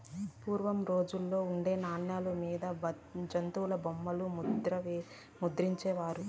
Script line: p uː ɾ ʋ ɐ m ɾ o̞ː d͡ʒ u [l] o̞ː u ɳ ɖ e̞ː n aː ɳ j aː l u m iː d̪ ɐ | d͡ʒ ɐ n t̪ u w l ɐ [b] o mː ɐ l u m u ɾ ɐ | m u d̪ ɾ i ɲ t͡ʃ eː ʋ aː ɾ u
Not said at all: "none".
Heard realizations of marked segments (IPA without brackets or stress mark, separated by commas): lː, b